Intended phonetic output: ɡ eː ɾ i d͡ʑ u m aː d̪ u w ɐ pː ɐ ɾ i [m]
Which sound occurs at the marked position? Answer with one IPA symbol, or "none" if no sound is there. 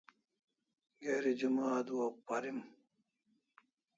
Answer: m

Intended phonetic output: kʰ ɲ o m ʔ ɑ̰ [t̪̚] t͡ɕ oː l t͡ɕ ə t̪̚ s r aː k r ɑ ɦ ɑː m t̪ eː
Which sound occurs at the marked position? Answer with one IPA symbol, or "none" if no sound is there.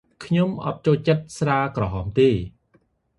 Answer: t̪̚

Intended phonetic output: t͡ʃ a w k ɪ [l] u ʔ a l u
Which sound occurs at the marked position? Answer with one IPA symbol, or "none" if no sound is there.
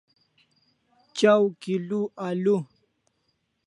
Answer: l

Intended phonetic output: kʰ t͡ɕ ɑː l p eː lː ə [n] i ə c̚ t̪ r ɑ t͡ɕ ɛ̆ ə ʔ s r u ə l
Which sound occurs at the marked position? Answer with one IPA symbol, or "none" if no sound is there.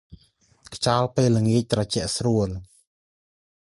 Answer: ŋ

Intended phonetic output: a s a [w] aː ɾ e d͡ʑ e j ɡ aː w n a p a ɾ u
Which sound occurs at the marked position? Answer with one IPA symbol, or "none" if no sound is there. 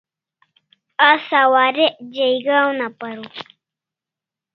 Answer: w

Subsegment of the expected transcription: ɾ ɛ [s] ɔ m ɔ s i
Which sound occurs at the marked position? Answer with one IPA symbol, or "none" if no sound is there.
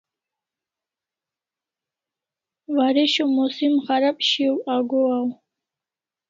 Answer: ʃ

